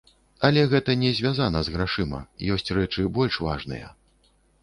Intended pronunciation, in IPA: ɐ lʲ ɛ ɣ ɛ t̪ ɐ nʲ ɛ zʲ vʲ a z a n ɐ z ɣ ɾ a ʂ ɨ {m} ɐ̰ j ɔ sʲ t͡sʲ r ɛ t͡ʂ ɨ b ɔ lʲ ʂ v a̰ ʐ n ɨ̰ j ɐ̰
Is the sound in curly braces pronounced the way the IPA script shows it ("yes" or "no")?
yes